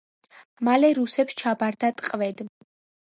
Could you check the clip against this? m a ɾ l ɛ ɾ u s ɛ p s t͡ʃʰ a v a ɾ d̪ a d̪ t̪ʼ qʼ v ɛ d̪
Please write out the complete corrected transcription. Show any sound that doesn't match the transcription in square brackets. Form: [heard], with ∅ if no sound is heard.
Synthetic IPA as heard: m a [∅] l ɛ ɾ u s ɛ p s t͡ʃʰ a [b] a ɾ d̪ a [∅] t̪ʼ qʼ v ɛ d̪

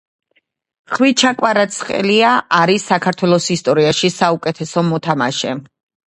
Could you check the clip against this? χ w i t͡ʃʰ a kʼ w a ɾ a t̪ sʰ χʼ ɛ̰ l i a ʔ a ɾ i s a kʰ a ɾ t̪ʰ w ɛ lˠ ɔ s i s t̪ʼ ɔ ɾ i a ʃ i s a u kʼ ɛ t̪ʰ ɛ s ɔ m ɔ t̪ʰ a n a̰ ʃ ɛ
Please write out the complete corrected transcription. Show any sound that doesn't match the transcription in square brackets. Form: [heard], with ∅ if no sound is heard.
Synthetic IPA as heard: χ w i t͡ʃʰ a kʼ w a ɾ a t̪ sʰ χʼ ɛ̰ l i a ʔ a ɾ i s a kʰ a ɾ t̪ʰ w ɛ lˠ ɔ s i s t̪ʼ ɔ ɾ i a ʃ i s a u kʼ ɛ t̪ʰ ɛ s ɔ m ɔ t̪ʰ a [m] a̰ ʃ ɛ

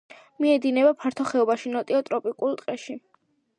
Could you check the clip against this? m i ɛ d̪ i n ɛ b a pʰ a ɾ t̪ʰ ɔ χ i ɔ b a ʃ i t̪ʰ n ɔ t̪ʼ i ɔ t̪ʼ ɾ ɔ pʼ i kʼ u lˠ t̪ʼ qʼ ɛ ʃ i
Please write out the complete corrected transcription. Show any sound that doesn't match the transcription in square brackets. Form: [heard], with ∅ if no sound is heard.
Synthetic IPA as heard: m i ɛ d̪ i n ɛ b a pʰ a ɾ t̪ʰ ɔ χ [ɛ] ɔ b a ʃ i [∅] n ɔ t̪ʼ i ɔ t̪ʼ ɾ ɔ pʼ i kʼ u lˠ t̪ʼ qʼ ɛ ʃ i

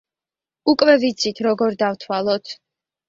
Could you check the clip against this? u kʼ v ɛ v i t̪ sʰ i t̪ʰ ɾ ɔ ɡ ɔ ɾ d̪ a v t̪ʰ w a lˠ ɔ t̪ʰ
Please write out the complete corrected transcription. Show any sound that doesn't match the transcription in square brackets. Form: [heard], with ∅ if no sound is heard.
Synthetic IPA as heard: u kʼ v ɛ v i t̪ sʰ i t̪ʰ ɾ ɔ ɡ ɔ ɾ d̪ a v t̪ʰ w a lˠ ɔ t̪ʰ

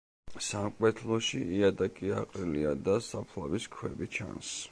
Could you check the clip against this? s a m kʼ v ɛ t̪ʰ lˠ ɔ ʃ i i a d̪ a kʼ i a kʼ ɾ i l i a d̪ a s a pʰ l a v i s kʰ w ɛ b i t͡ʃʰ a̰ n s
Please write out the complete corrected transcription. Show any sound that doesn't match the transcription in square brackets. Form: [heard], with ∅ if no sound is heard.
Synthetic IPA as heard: s a m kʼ [w] ɛ t̪ʰ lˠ ɔ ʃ i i a d̪ a kʼ i a [qʼ] ɾ i l i a d̪ a s a pʰ l a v i s kʰ w ɛ b i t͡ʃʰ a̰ n s

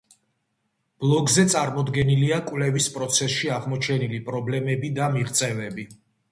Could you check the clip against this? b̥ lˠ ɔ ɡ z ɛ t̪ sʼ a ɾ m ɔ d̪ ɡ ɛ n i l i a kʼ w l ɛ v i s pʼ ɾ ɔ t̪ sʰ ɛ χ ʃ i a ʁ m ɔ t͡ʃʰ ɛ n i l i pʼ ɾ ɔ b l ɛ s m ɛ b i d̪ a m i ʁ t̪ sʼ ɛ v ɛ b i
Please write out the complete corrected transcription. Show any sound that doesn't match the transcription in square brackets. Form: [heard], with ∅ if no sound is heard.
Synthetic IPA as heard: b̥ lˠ ɔ ɡ z ɛ t̪ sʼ a ɾ m ɔ d̪ ɡ ɛ n i l i a kʼ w l ɛ v i s pʼ ɾ ɔ t̪ sʰ ɛ [s] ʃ i a ʁ m ɔ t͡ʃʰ ɛ n i l i pʼ ɾ ɔ b l ɛ [∅] m ɛ b i d̪ a m i ʁ t̪ sʼ ɛ v ɛ b i

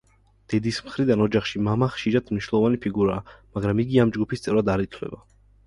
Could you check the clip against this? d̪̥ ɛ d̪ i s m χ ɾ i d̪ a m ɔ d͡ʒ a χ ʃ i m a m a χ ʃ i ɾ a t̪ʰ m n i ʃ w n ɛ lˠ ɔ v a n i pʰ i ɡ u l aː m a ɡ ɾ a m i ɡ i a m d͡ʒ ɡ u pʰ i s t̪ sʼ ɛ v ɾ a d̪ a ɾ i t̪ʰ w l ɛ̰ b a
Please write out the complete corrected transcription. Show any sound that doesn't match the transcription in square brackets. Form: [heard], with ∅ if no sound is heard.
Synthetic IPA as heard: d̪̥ ɛ d̪ i s m χ ɾ i d̪ a [n] ɔ d͡ʒ a χ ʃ i m a m a χ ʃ i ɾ a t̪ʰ m n i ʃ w n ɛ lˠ ɔ v a n i pʰ i ɡ u [ɾ] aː m a ɡ ɾ a m i ɡ i a m d͡ʒ ɡ u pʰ i s t̪ sʼ ɛ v ɾ a d̪ a ɾ i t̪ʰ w l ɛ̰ b a

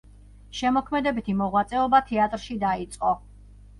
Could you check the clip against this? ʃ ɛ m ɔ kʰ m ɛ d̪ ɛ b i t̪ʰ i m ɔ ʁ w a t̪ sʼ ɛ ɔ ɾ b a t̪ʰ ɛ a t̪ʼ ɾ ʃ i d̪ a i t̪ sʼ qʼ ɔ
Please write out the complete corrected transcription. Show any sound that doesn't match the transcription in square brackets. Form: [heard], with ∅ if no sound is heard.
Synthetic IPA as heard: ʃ ɛ m ɔ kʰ m ɛ d̪ ɛ b i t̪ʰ i m ɔ ʁ w a t̪ sʼ ɛ ɔ [∅] b a t̪ʰ ɛ a t̪ʼ ɾ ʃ i d̪ a i t̪ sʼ qʼ ɔ

